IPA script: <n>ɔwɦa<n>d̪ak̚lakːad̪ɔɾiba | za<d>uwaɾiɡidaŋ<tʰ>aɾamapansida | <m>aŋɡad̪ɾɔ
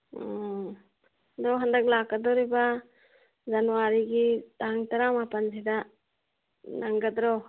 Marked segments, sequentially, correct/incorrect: incorrect: d, correct, incorrect: n, incorrect: t, incorrect: n

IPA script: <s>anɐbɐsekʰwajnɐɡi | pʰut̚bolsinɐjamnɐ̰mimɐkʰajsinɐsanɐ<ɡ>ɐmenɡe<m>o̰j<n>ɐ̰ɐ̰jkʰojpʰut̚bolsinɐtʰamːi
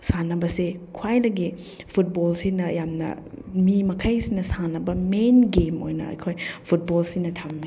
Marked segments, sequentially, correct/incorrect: correct, incorrect: b, correct, correct

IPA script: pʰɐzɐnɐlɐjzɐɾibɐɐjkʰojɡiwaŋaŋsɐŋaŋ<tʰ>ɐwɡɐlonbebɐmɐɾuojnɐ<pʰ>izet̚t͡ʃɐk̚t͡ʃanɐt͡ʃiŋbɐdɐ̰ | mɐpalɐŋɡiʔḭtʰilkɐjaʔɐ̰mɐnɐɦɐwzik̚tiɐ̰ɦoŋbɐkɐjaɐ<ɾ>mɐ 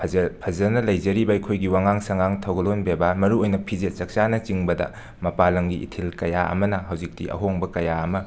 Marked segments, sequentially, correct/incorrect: correct, correct, incorrect: none

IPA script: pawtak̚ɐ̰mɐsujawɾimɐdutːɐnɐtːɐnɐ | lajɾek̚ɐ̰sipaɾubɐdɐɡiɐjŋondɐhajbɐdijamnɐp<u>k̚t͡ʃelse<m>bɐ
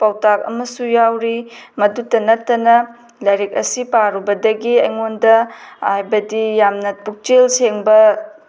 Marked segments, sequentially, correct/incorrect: correct, incorrect: ŋ

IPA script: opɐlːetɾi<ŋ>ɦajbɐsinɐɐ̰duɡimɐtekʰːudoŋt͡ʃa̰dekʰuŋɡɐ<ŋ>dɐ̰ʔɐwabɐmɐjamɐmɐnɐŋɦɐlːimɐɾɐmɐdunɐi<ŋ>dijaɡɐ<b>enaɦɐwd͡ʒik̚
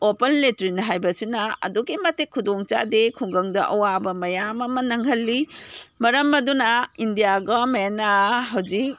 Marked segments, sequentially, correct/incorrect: incorrect: n, correct, incorrect: n, incorrect: m

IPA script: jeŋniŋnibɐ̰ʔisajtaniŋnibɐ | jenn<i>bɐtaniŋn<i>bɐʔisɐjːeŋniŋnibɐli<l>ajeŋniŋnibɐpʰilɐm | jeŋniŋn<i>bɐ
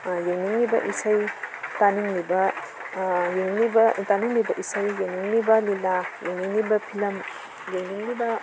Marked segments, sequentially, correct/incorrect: correct, correct, correct, correct

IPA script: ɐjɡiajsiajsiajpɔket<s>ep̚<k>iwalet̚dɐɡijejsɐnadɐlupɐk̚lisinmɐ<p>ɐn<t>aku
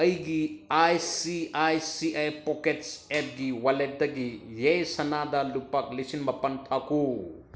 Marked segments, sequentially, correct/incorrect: correct, incorrect: ɡ, correct, incorrect: tʰ

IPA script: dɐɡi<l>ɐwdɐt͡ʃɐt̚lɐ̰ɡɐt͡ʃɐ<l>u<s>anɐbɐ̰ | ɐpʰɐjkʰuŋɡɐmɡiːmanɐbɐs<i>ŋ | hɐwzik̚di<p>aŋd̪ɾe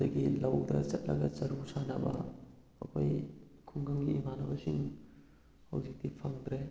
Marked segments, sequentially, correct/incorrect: correct, incorrect: ɾ, correct, correct, incorrect: pʰ

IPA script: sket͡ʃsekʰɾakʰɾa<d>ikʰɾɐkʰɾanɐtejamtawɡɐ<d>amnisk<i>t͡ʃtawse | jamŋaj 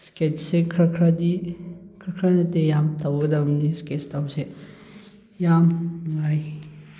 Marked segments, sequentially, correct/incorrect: correct, correct, incorrect: e

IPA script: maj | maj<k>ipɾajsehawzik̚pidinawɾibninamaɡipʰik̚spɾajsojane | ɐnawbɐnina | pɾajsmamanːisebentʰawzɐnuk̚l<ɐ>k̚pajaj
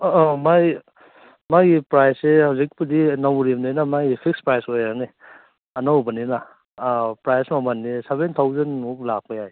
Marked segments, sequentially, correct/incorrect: incorrect: ɡ, incorrect: a

